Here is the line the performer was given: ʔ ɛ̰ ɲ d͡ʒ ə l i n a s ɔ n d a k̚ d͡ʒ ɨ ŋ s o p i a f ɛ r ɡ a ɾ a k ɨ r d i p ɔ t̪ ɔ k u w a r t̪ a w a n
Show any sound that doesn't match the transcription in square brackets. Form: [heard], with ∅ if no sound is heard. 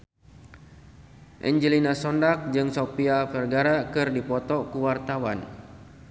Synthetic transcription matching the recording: ʔ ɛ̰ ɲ d͡ʒ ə l i n a s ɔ n d a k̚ d͡ʒ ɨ ŋ s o p i a f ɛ r ɡ a ɾ a k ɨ r d i p ɔ t̪ ɔ k u w a r t̪ a w a n